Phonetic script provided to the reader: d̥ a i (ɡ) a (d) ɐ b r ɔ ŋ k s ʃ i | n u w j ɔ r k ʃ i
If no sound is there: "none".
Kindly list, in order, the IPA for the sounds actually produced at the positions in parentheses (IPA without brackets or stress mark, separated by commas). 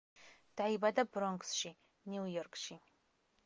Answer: b, d